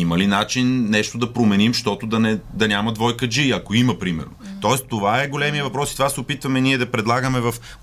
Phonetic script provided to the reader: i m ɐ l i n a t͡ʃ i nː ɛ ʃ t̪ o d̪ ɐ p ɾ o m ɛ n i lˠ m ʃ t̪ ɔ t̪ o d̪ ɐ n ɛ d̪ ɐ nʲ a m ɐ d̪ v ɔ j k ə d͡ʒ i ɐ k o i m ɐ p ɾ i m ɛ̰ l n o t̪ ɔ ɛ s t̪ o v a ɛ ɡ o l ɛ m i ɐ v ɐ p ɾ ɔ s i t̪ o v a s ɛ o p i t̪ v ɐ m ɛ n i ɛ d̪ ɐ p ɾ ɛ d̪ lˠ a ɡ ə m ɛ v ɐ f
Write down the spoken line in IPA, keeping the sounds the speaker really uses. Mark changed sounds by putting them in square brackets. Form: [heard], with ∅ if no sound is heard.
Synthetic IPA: i m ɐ l i n a t͡ʃ i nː ɛ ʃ t̪ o d̪ ɐ p ɾ o m ɛ n i [∅] m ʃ t̪ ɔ t̪ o d̪ ɐ n ɛ d̪ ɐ nʲ a m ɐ d̪ v ɔ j k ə d͡ʒ i ɐ k o i m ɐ p ɾ i m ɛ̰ [ɾ] n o t̪ ɔ ɛ s t̪ o v a ɛ ɡ o l ɛ m i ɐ v ɐ p ɾ ɔ s i t̪ o v a s ɛ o p i t̪ v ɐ m ɛ n i ɛ d̪ ɐ p ɾ ɛ d̪ lˠ a ɡ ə m ɛ v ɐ f